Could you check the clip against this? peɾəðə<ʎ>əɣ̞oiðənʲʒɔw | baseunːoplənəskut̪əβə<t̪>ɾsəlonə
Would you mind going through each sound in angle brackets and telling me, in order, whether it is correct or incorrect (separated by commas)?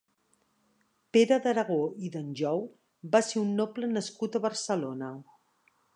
incorrect, incorrect